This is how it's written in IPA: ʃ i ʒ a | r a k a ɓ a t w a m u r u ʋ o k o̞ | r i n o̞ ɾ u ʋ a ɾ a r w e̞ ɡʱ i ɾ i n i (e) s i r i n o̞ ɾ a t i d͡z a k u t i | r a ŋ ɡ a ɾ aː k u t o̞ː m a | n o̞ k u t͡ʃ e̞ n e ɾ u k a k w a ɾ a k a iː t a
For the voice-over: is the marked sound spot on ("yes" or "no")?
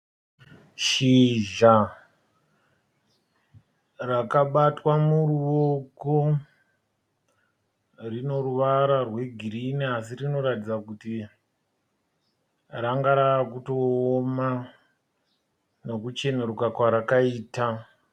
no